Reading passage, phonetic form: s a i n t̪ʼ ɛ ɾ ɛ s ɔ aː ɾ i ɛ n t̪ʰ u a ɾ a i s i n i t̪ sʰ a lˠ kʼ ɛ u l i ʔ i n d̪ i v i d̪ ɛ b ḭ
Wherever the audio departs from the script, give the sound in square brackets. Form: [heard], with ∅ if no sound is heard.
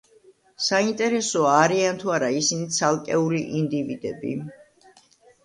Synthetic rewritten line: s a i n t̪ʼ ɛ ɾ ɛ s ɔ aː ɾ i [a] n t̪ʰ u a ɾ a i s i n i t̪ sʰ a lˠ kʼ ɛ u l i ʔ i n d̪ i v i d̪ ɛ b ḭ